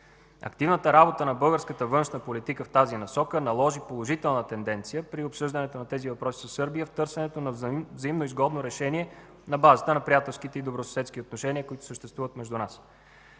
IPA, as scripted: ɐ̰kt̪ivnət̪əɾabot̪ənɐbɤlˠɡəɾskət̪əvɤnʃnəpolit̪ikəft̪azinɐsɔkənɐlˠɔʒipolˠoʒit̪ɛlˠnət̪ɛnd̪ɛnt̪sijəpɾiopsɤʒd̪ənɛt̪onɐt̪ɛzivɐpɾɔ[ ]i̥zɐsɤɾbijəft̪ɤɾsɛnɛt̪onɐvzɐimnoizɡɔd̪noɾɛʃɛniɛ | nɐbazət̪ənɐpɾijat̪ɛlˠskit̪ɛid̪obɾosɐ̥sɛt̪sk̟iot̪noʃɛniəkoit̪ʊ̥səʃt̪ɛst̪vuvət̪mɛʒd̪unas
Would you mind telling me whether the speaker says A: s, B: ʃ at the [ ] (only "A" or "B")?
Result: A